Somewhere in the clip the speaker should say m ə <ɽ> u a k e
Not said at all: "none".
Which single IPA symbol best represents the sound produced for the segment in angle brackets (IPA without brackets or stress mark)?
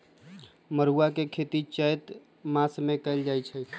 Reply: ɾ